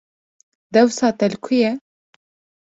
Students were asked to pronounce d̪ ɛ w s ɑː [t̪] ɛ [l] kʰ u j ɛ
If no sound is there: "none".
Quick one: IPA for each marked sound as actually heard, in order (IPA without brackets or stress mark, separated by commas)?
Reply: t̪, l